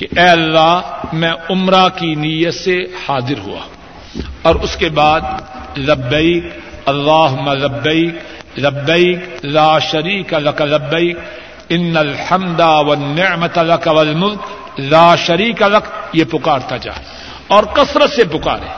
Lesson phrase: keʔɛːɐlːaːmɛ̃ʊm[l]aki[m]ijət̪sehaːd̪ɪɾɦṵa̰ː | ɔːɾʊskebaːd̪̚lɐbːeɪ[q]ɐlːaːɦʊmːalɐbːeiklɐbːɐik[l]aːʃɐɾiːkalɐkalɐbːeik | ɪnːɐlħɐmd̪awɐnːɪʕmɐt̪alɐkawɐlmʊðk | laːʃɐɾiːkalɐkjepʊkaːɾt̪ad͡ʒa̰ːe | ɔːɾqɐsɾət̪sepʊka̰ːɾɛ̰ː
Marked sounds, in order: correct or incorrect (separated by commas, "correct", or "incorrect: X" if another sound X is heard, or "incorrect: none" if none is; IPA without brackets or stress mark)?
incorrect: ɾ, incorrect: n, incorrect: k, correct